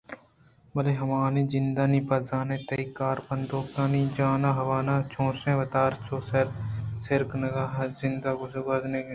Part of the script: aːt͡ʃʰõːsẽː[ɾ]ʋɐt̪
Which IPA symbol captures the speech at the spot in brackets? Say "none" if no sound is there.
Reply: none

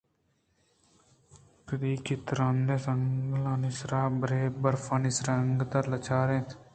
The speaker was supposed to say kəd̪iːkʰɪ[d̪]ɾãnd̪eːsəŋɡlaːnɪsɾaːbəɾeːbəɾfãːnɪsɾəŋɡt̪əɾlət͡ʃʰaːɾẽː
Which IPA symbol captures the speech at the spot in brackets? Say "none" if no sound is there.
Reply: t̪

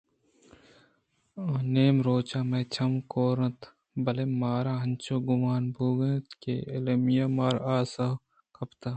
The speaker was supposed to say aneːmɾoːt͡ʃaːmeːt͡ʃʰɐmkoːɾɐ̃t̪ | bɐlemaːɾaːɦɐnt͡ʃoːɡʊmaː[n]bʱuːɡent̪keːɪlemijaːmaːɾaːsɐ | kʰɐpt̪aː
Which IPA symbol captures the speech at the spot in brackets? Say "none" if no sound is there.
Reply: n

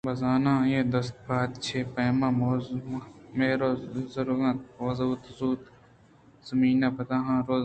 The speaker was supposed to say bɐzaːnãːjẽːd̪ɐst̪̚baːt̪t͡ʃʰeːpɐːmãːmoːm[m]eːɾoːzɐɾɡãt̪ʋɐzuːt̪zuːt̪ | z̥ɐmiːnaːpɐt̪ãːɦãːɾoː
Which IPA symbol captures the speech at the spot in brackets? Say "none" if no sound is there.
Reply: m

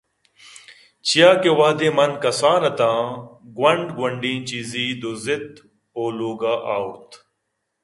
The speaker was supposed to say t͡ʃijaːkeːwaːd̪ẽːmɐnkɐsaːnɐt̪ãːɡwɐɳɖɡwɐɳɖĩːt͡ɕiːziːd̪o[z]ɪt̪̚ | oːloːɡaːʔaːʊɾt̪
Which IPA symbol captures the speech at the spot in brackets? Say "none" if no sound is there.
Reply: z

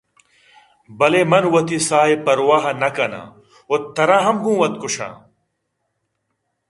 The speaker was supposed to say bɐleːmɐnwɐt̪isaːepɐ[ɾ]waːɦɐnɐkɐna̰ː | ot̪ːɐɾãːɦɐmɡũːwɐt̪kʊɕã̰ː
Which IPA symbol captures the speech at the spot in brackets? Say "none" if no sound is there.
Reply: ɾ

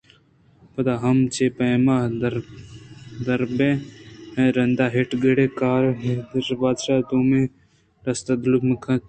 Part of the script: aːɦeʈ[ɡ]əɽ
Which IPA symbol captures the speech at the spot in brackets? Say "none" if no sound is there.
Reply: ɡ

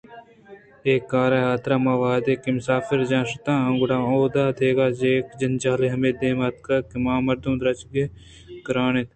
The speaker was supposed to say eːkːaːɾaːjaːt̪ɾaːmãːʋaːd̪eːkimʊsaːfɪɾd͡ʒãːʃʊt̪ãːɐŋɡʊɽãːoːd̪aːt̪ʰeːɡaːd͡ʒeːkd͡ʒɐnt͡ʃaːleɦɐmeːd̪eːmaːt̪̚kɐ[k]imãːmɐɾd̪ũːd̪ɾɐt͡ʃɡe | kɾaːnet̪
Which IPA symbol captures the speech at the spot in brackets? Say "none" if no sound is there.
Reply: k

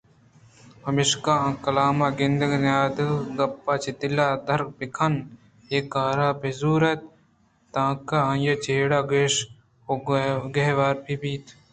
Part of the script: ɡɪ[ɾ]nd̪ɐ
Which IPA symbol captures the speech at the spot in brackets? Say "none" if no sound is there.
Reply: none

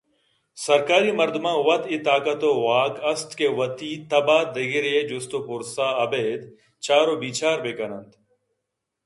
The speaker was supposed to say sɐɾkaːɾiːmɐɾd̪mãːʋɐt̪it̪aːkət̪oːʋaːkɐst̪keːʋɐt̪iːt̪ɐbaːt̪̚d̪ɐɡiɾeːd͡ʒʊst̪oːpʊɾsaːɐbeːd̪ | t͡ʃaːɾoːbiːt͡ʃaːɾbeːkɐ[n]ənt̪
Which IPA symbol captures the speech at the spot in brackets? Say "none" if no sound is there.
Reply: n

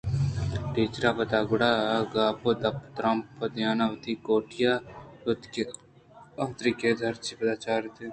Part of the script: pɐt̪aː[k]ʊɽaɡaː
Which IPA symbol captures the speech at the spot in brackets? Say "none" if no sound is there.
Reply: ɡ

